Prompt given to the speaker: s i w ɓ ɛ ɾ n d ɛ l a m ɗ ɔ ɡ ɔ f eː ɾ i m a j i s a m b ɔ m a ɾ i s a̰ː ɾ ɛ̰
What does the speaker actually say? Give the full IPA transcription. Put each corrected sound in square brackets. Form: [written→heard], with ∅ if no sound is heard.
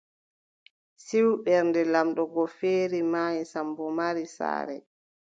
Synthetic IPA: s i w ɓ ɛ ɾ n d ɛ l a m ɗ ɔ ɡ ɔ f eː ɾ i m a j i s a m b ɔ m a ɾ i s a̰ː ɾ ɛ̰